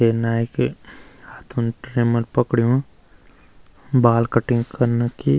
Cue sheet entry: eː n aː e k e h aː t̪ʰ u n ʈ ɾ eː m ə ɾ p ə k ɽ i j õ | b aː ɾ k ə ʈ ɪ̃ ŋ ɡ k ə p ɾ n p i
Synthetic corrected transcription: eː n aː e k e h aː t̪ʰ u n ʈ ɾ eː m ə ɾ p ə k ɽ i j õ | b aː l k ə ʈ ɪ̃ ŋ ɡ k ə ɾ n k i